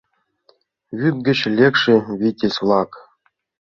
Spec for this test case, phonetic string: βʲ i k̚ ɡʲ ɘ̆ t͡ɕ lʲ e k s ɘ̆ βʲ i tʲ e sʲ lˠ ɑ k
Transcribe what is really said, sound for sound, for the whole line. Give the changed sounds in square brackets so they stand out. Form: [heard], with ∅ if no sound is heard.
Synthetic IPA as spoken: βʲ [y] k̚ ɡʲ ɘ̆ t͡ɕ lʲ e k [ʂ] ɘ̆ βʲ i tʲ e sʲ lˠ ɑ k